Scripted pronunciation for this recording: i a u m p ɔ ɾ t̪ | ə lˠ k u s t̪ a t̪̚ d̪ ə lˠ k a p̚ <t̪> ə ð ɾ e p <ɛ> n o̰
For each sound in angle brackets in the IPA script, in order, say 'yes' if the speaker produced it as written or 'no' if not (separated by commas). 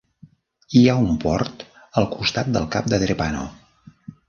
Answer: no, no